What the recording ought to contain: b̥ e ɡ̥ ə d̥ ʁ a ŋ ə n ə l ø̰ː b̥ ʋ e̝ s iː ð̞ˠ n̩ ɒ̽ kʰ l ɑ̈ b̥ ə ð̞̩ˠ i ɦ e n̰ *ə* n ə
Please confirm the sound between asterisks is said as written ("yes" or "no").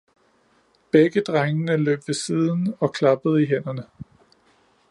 no